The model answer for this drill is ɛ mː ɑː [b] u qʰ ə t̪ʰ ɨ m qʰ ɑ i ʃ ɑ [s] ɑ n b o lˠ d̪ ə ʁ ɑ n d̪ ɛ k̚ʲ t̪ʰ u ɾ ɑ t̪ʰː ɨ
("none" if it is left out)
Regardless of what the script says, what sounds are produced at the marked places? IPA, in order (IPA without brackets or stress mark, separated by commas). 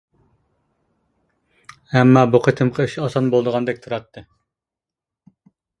b, s